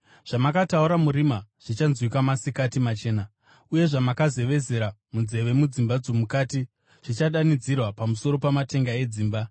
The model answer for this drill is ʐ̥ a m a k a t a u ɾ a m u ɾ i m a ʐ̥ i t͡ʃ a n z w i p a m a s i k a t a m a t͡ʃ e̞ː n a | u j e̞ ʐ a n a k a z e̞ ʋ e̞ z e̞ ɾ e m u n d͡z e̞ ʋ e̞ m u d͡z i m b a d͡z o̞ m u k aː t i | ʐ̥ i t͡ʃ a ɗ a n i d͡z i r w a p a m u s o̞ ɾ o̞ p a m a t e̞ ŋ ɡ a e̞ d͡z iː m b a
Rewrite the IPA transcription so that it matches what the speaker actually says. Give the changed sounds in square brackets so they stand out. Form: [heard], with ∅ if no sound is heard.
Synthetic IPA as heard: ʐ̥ a m a k a t a u ɾ a m u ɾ i m a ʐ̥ i t͡ʃ a n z w i [k] a m a s i k a t [i] m a t͡ʃ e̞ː n a | u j e̞ ʐ a [m] a k a z e̞ ʋ e̞ z e̞ ɾ [a] m u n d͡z e̞ ʋ e̞ m u d͡z i m b a d͡z o̞ m u k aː t i | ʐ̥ i t͡ʃ a ɗ a n i d͡z i r w a p a m u s o̞ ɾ o̞ p a m a t e̞ ŋ ɡ a e̞ d͡z iː m b a